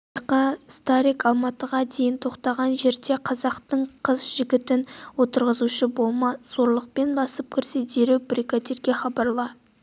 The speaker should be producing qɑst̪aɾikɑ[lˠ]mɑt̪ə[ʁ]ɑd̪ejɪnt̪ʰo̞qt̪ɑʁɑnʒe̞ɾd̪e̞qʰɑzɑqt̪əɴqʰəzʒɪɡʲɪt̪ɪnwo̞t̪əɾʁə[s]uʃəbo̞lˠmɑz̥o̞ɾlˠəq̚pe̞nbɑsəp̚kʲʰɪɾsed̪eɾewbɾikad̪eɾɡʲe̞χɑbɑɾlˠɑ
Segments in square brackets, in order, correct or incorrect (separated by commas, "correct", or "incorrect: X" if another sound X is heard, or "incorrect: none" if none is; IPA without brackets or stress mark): correct, correct, incorrect: z